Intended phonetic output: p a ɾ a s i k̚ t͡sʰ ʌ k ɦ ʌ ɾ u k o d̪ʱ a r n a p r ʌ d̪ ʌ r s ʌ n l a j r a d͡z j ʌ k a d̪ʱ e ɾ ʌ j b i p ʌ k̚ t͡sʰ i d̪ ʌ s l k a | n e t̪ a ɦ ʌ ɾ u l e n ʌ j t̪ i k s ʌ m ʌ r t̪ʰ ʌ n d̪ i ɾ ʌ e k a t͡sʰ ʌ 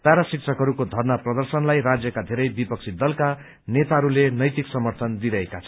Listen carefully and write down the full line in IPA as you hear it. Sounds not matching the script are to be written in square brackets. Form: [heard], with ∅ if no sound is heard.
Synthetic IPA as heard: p a ɾ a s i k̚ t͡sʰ ʌ k ɦ ʌ ɾ u k o d̪ʱ [ʌ] r n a p r ʌ d̪ ʌ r s ʌ n l a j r a d͡z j ʌ k a d̪ʱ e ɾ ʌ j b i p ʌ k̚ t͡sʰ i d̪ ʌ [∅] l k a | n e t̪ a ɦ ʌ ɾ u l e n ʌ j t̪ i k s ʌ m ʌ r t̪ʰ ʌ n d̪ i ɾ ʌ e k a t͡sʰ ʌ